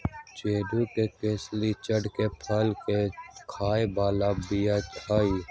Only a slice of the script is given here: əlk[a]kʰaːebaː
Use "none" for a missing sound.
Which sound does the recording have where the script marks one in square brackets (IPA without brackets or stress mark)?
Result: e